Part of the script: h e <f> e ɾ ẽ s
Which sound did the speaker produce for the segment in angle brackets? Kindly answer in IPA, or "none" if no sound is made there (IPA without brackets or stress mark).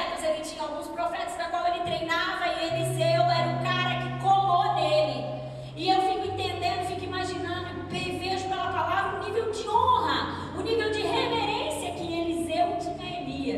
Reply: v